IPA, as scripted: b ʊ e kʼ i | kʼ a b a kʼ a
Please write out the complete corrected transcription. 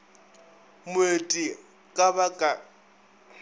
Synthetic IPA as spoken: m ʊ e tʼ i | kʼ a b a kʼ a